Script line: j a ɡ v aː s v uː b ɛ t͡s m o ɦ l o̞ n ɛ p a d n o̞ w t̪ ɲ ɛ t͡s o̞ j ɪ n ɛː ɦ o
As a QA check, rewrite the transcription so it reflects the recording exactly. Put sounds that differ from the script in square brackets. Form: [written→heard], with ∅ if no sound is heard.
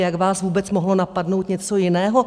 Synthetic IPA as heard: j a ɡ v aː s v uː b ɛ t͡s m o ɦ l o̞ n [ɛ→a] p a d n o̞ w t̪ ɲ ɛ t͡s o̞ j ɪ n ɛː ɦ o